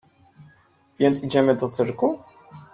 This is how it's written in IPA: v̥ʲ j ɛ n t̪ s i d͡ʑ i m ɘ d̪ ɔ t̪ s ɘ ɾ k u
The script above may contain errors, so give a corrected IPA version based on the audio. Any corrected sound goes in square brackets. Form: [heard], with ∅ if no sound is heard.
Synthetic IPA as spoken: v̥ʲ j ɛ n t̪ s i d͡ʑ [ɛ] m ɘ d̪ ɔ t̪ s ɘ ɾ k u